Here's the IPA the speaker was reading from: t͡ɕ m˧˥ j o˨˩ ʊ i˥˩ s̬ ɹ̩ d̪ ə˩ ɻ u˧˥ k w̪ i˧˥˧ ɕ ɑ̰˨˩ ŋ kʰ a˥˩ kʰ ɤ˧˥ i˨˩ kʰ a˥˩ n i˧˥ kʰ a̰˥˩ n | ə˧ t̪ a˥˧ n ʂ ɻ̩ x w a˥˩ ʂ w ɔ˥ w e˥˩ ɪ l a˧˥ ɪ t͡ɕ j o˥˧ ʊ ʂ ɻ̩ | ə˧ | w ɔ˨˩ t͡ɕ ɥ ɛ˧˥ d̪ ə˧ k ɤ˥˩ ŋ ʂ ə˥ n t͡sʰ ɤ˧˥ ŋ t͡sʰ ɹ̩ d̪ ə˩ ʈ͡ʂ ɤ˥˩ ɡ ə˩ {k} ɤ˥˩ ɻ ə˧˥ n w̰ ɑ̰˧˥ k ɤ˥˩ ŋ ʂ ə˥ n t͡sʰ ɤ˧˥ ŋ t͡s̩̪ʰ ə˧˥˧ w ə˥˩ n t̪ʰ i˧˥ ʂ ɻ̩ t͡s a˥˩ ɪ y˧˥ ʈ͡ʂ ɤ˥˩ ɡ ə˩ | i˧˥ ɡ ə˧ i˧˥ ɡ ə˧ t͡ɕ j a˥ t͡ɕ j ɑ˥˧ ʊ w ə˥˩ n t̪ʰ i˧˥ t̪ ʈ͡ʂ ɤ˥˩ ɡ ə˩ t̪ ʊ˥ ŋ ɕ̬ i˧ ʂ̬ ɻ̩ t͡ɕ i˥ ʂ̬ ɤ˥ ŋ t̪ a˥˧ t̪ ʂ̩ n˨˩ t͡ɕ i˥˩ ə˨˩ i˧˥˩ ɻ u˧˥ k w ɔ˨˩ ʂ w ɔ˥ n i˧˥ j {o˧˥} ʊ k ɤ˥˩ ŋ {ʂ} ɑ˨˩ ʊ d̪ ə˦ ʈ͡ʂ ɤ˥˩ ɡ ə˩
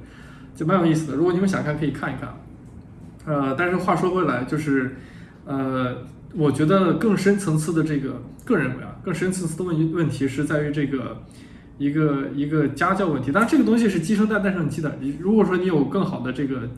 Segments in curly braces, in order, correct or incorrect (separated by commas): correct, incorrect, incorrect